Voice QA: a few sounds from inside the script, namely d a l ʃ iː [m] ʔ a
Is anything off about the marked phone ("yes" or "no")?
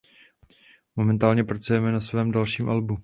no